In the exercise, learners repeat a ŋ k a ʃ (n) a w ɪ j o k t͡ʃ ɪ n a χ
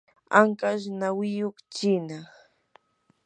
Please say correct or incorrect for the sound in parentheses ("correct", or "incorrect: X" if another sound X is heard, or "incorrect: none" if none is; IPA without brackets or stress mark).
correct